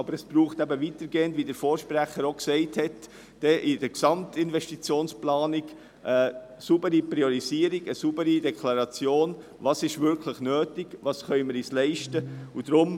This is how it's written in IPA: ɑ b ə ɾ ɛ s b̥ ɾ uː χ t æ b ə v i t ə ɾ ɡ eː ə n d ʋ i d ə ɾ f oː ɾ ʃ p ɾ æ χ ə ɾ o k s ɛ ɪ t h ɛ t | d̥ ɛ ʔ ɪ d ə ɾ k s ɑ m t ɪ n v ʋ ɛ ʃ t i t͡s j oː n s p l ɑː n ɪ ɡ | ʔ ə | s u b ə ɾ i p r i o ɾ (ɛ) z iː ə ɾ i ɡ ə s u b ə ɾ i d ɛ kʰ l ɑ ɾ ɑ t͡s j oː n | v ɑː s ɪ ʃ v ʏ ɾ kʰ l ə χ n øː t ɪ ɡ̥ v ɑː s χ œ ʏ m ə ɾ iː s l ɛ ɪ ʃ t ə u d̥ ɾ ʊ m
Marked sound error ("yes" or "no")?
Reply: yes